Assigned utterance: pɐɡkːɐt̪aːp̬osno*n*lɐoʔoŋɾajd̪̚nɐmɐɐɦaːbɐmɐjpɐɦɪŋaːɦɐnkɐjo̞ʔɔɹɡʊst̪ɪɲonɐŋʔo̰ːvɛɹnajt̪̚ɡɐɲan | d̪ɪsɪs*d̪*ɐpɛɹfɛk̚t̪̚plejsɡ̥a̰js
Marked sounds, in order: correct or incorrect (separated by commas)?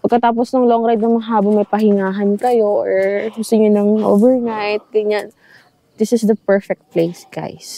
incorrect, correct